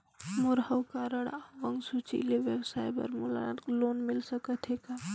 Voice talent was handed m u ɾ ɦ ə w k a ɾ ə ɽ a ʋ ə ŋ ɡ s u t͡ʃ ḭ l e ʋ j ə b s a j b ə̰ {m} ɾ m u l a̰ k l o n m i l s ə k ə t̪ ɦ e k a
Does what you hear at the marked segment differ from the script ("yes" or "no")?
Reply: yes